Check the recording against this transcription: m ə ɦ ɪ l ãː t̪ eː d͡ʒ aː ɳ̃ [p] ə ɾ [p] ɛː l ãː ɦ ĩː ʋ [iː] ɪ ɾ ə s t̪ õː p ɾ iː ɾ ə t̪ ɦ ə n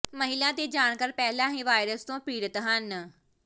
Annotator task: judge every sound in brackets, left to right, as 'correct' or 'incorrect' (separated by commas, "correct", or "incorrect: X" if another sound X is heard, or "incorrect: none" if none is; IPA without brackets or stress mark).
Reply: incorrect: k, correct, incorrect: aː